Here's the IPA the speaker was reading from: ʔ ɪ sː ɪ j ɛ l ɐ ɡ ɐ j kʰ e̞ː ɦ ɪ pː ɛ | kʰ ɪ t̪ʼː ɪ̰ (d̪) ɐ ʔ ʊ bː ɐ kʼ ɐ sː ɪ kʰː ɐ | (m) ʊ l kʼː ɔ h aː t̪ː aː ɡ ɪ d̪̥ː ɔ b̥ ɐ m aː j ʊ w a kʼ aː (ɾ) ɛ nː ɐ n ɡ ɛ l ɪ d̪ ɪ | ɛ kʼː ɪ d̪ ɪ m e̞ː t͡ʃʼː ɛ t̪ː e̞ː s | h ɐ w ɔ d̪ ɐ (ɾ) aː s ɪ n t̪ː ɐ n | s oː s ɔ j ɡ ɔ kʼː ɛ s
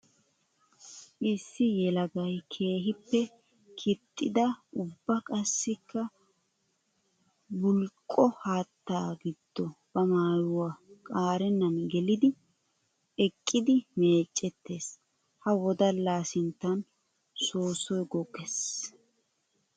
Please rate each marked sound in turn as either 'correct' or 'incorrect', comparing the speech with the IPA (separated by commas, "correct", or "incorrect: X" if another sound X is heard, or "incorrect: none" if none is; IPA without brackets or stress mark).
correct, incorrect: b, correct, incorrect: l